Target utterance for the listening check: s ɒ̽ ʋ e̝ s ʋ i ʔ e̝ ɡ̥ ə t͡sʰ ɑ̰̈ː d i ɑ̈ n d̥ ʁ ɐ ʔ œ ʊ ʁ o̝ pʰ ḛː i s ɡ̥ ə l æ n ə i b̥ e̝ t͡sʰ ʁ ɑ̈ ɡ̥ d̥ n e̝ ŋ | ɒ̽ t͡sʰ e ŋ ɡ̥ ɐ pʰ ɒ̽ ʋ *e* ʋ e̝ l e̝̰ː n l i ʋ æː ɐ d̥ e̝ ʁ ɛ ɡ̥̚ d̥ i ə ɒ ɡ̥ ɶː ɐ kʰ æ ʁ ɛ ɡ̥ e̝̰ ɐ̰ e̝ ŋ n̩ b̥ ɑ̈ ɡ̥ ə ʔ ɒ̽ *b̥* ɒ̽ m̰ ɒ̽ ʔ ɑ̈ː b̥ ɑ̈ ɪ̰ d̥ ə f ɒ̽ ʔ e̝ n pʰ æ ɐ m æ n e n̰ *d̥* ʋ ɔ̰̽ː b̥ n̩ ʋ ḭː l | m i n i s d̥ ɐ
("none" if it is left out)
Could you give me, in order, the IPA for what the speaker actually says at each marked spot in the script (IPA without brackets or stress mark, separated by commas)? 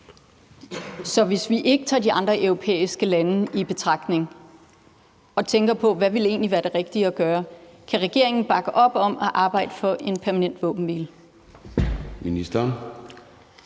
æ, b̥, d̥